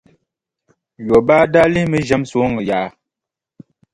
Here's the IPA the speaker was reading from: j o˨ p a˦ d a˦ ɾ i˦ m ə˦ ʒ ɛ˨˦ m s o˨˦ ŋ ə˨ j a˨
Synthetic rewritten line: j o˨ b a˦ d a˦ l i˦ m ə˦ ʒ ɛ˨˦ m s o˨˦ ŋ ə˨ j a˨